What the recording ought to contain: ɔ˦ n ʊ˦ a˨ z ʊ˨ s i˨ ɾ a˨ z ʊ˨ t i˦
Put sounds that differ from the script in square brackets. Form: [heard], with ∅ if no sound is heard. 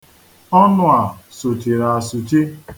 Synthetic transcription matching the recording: ɔ˦ n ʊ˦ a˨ [s] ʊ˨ [t] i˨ ɾ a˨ [s] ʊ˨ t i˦